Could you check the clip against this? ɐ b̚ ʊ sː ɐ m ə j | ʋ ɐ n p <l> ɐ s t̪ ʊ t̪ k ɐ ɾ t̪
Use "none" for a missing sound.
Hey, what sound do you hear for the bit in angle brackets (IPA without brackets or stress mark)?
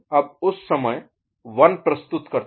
ɾ